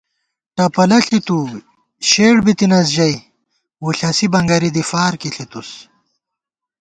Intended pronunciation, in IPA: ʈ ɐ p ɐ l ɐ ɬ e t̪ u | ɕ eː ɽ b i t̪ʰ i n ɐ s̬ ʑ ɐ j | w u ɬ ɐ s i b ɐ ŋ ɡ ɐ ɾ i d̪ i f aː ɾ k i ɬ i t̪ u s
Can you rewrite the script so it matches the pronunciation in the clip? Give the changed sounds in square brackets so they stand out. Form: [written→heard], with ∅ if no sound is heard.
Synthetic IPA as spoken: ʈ ɐ p ɐ l ɐ ɬ [e→i] t̪ u | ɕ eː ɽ b i [t̪ʰ→t̪] i n ɐ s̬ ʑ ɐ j | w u ɬ ɐ s i b ɐ ŋ ɡ ɐ ɾ i d̪ i f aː ɾ k i ɬ i t̪ u s